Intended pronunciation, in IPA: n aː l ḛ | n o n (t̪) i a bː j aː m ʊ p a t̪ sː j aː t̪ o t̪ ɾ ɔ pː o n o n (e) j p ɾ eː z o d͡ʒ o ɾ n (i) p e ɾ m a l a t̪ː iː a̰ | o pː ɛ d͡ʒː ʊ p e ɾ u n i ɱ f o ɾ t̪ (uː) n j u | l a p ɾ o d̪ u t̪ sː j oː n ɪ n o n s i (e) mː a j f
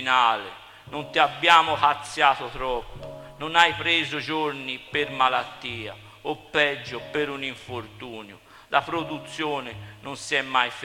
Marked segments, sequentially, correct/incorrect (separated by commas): correct, incorrect, correct, correct, incorrect